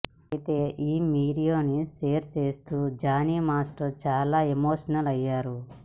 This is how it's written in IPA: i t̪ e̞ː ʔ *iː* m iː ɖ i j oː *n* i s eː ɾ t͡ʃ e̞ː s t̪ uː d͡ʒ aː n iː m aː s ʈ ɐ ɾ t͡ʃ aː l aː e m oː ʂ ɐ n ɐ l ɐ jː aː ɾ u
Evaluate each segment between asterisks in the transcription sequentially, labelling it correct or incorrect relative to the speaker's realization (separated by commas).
correct, correct